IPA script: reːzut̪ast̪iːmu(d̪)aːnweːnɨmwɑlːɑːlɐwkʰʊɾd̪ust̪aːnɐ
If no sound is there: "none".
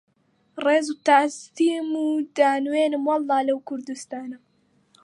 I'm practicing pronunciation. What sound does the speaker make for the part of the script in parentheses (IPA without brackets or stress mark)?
d̪